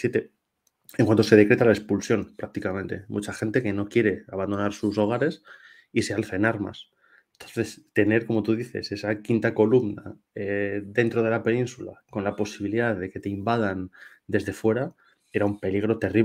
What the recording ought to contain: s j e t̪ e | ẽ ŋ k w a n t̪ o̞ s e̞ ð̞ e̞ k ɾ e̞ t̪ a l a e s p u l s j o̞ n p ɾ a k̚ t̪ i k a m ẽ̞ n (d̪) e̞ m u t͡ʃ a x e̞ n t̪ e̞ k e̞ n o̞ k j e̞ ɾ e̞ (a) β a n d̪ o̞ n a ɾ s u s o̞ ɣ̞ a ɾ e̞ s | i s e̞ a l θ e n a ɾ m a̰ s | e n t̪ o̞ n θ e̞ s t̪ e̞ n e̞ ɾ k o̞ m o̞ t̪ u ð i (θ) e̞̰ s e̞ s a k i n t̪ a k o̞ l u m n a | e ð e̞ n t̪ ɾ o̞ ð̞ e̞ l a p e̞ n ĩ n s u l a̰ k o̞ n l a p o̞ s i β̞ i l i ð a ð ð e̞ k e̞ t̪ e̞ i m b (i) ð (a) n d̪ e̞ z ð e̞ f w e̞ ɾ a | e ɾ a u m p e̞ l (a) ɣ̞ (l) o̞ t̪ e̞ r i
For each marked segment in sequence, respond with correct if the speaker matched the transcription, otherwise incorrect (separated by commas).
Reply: incorrect, correct, correct, incorrect, correct, incorrect, incorrect